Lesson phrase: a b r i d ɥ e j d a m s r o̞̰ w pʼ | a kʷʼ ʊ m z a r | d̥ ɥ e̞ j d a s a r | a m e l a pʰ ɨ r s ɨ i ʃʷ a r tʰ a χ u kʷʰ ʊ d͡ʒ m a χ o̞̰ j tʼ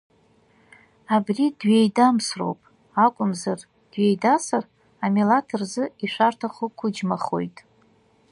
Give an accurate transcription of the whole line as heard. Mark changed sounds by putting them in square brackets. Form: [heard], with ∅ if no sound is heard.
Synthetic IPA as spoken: a b r i d ɥ e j d a m s r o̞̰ w pʼ | a kʷʼ ʊ m z a r | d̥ ɥ e̞ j d a s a r | a m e l a [tʰ] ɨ r [z] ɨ i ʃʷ a r tʰ a χ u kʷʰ ʊ d͡ʒ m a χ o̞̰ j tʼ